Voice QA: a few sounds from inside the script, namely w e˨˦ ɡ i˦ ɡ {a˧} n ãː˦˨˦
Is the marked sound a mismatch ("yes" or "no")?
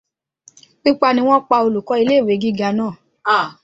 no